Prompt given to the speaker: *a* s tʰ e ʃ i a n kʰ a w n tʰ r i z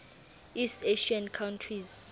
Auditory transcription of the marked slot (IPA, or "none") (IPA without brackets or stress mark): i